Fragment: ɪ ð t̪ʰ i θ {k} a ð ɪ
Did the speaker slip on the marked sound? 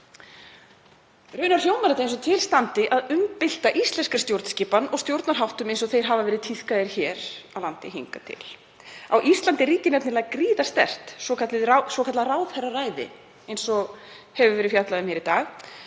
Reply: no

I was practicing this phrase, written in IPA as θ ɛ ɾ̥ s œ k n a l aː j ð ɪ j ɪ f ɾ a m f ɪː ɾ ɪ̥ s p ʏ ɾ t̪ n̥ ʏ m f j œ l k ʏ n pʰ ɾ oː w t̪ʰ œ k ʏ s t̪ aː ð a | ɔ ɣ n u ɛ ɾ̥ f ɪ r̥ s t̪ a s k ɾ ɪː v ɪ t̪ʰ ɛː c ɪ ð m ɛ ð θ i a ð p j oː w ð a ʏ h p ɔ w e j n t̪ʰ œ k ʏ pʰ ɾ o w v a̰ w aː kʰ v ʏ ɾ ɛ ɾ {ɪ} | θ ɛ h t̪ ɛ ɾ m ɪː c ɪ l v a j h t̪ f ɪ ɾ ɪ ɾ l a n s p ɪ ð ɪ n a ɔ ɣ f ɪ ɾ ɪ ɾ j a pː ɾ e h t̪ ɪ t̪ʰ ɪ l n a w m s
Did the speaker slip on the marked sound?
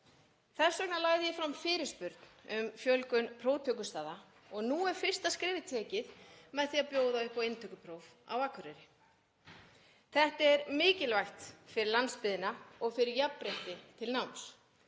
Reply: no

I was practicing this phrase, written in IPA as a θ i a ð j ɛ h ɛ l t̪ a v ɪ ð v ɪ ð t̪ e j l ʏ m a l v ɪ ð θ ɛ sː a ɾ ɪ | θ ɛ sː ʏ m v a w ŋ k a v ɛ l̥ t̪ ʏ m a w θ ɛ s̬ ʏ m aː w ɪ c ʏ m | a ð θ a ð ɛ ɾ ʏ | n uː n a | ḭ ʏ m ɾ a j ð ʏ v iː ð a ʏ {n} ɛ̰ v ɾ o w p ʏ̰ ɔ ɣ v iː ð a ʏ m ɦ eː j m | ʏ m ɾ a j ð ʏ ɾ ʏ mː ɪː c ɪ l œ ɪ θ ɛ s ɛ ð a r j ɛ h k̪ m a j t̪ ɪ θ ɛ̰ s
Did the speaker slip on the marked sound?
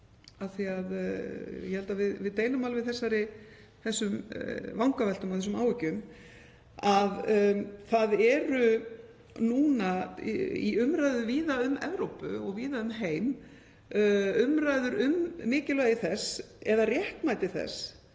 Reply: yes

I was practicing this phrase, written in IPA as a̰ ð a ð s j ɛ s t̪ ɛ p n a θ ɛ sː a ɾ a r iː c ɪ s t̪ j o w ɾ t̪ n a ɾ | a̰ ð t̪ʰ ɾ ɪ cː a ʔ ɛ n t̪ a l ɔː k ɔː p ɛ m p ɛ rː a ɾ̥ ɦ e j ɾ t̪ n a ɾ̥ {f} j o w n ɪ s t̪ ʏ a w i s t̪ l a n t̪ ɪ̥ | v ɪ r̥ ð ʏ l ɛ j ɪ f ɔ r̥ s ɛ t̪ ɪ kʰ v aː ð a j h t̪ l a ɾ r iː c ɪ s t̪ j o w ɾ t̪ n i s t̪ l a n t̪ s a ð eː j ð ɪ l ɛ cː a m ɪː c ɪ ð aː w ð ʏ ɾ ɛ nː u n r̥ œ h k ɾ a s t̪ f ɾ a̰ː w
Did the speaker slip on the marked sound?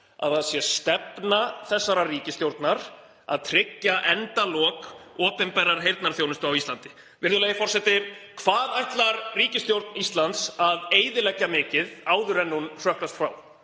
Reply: yes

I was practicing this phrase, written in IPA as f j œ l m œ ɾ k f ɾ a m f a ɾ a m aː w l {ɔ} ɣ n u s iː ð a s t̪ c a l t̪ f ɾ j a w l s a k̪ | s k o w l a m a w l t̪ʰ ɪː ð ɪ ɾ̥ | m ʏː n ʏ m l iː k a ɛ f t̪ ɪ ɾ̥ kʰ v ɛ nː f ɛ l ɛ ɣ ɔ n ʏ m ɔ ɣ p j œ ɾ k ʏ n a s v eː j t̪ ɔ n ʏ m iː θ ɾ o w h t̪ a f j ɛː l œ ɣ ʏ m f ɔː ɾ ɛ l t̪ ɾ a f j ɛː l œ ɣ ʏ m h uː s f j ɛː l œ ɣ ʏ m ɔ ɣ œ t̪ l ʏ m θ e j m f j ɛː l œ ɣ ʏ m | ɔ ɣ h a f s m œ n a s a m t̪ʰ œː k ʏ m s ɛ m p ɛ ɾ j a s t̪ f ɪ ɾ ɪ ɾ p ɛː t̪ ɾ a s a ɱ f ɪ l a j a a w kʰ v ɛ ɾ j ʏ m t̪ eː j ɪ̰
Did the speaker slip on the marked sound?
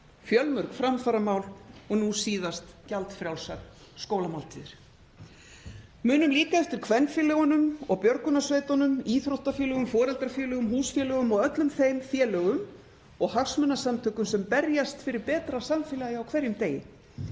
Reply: no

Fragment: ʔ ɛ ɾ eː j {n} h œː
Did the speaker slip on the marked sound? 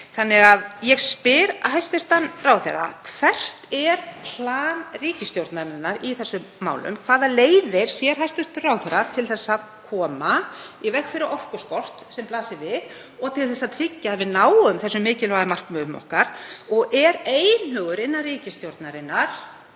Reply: no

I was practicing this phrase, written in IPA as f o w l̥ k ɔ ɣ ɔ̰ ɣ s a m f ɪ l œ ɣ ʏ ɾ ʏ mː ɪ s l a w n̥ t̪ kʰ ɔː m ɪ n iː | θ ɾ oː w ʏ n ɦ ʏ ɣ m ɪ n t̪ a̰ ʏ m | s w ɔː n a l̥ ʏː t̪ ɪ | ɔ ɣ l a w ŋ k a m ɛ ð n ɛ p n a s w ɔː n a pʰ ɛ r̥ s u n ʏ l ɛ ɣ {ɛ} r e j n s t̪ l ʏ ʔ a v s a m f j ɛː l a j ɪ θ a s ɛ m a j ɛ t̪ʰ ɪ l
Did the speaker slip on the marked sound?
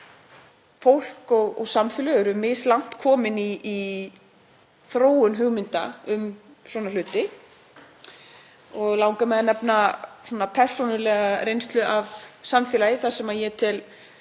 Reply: yes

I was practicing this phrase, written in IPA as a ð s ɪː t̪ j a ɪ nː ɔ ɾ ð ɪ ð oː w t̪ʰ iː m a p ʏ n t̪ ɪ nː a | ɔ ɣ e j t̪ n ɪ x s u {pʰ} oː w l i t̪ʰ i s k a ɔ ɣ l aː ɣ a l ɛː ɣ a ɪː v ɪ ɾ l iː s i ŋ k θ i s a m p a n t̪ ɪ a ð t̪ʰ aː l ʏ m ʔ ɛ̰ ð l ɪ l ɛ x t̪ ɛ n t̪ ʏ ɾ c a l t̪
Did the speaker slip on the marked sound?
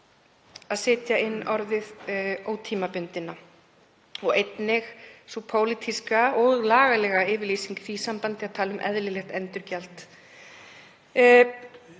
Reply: no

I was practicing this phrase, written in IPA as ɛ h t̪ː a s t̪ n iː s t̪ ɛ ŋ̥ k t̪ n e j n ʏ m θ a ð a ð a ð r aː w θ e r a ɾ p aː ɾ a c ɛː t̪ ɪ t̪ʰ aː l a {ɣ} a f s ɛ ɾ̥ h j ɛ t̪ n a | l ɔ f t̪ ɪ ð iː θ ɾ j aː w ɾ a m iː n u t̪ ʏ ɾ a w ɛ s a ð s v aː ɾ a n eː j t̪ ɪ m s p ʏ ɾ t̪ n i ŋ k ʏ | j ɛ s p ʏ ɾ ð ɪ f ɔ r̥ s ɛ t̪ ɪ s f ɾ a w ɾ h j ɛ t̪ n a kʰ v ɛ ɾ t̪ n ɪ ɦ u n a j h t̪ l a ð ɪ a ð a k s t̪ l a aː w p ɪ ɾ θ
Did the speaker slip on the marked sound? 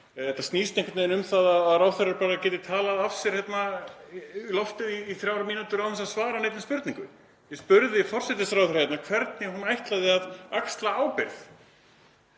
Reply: yes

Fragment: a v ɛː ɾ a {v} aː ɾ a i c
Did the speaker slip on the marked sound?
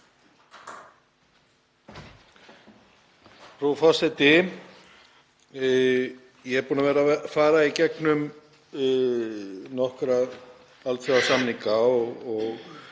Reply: yes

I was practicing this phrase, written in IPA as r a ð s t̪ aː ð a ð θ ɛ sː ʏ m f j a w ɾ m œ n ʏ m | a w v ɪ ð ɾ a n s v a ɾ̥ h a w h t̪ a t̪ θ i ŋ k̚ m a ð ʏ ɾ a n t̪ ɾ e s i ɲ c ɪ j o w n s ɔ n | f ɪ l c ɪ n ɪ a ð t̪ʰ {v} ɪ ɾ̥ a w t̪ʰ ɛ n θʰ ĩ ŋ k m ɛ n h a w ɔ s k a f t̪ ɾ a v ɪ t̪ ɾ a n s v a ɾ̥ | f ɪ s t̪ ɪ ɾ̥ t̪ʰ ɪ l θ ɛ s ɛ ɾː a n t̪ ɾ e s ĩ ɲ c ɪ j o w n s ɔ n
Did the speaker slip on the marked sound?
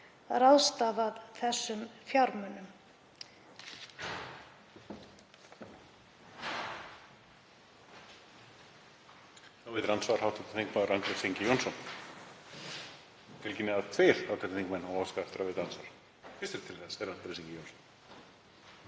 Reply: no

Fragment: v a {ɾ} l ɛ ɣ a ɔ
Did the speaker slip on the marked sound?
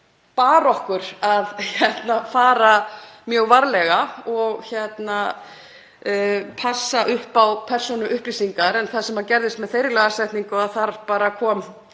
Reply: no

